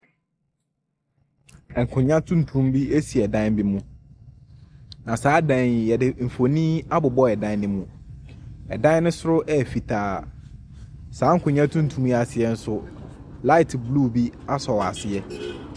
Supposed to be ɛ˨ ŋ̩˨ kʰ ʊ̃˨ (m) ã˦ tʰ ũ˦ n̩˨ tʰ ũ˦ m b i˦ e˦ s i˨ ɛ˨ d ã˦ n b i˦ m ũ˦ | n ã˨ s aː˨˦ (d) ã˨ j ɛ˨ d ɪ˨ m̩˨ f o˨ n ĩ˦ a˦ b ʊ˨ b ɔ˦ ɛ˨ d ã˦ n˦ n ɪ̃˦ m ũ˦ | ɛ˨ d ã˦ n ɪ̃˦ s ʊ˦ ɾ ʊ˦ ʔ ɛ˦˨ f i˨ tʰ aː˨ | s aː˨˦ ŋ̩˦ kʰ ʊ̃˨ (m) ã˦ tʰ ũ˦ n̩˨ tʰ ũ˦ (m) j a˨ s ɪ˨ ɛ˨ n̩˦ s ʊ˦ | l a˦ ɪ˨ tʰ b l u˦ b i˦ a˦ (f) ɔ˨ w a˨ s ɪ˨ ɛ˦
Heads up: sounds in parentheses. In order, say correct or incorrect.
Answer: incorrect: ɲ, correct, incorrect: ɲ, correct, incorrect: s

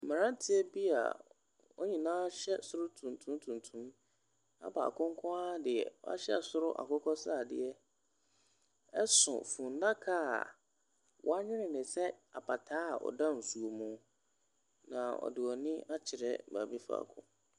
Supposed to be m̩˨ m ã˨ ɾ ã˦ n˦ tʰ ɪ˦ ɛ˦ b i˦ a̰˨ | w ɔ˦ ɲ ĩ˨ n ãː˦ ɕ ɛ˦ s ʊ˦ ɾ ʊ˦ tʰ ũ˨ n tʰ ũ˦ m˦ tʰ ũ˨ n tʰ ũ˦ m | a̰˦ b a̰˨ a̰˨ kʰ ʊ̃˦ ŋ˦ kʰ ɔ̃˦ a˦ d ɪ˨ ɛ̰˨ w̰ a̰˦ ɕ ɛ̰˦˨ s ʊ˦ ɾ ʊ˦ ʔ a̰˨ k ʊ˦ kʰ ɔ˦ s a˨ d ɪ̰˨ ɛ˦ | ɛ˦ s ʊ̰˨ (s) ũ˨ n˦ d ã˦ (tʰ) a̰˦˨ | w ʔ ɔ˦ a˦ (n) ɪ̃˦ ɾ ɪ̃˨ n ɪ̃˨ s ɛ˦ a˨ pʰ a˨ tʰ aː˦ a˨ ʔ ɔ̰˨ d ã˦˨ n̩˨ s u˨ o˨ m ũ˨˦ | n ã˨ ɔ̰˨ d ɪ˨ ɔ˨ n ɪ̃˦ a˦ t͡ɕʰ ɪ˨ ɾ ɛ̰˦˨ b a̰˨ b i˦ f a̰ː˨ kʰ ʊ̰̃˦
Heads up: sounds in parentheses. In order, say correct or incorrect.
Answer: incorrect: f, incorrect: kʰ, incorrect: ɲ

